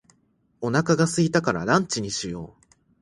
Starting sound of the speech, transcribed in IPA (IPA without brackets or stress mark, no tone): o̞